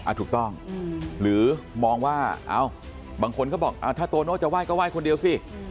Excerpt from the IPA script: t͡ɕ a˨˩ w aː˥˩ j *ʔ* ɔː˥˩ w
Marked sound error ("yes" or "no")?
yes